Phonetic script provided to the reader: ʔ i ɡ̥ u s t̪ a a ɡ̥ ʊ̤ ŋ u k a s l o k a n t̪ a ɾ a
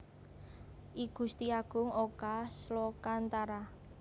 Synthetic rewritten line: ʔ i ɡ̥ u s t̪ i a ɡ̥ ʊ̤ ŋ o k a s l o k a n t̪ a ɾ a